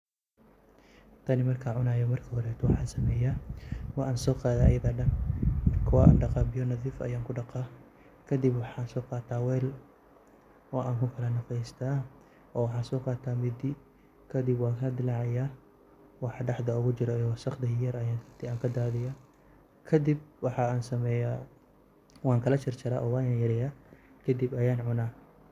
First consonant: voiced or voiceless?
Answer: voiceless